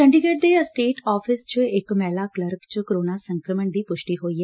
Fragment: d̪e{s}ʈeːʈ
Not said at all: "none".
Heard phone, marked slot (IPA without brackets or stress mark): s